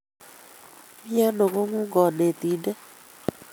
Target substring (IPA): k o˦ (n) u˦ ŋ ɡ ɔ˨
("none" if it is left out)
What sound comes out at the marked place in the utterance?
ŋ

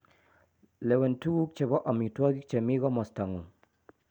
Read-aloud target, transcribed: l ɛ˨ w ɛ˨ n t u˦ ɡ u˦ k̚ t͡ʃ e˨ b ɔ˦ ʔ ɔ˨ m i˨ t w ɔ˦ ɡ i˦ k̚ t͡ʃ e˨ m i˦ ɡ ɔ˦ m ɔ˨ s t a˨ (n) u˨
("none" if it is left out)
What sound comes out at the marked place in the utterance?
ŋ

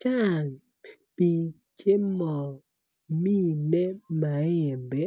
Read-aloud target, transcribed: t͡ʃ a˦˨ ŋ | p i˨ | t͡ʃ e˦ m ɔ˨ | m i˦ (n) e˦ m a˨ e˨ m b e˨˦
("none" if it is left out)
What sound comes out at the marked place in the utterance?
n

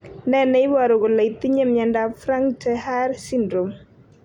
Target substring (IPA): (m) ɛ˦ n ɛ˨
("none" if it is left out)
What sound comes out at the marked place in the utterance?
n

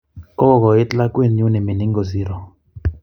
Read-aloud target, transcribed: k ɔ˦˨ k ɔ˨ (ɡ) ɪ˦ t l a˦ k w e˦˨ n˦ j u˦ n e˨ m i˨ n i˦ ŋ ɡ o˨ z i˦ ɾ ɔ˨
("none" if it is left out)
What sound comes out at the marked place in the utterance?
none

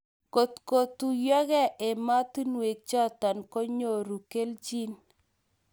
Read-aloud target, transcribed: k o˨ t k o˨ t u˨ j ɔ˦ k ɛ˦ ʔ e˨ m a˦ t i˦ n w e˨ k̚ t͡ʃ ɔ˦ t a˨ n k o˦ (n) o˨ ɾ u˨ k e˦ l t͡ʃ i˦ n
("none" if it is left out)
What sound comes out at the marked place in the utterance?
ɲ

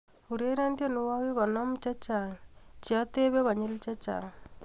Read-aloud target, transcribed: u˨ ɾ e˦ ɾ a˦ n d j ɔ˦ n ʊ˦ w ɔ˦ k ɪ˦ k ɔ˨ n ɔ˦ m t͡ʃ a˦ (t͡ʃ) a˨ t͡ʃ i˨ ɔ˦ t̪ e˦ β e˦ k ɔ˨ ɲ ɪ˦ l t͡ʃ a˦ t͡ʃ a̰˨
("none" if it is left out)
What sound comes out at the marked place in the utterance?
t͡ʃ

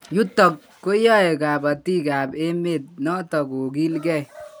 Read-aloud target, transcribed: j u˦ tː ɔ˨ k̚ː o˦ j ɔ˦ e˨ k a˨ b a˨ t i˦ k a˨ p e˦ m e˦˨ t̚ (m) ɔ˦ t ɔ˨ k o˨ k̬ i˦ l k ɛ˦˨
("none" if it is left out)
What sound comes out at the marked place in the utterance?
n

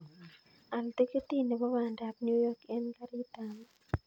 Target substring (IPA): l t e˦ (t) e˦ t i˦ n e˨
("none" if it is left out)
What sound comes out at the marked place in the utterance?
k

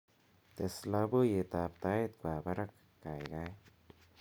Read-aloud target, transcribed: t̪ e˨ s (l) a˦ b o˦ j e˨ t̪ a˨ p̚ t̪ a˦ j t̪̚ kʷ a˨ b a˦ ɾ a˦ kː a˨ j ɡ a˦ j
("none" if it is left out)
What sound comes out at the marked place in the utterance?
l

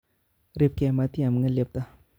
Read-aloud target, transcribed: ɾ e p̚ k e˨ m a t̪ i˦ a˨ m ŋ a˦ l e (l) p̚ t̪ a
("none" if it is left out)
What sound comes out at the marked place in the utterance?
none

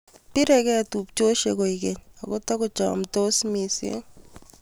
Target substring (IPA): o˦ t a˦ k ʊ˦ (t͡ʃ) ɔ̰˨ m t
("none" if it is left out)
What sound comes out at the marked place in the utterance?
t͡ʃ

